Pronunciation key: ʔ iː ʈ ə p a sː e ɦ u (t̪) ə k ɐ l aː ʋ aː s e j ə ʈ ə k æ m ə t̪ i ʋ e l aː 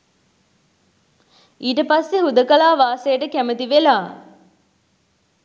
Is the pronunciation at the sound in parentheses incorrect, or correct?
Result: incorrect: d̪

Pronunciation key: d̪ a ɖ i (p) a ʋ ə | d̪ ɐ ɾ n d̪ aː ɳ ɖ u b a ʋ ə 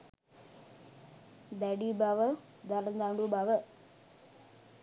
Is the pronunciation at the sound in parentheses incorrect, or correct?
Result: incorrect: b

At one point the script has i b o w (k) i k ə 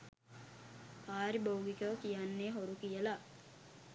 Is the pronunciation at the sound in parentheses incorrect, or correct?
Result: incorrect: ɡ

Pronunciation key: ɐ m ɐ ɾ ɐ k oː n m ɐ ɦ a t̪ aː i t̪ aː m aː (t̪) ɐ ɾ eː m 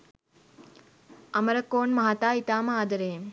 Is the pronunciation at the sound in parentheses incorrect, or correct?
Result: incorrect: d̪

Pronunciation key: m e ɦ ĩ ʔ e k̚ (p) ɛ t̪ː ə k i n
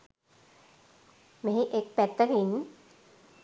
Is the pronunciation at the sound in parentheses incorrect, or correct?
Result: correct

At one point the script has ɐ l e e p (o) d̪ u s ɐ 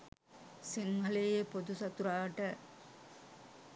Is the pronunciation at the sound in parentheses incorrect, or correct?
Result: correct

